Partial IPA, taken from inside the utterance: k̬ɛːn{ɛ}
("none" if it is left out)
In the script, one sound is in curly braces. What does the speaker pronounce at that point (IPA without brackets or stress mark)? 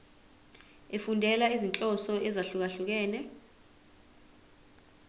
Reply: ɛ